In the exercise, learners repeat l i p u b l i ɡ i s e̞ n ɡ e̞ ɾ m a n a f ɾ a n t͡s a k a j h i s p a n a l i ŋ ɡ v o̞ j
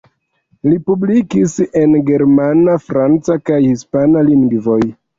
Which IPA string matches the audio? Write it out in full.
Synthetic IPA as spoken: l i p u b l i k i s e̞ n ɡ e̞ ɾ m a n a f ɾ a n t͡s a k a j h i s p a n a l i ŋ ɡ v o̞ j